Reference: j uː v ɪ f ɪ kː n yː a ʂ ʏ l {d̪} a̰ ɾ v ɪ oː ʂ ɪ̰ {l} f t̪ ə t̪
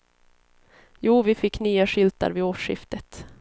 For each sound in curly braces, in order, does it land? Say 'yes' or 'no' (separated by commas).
no, no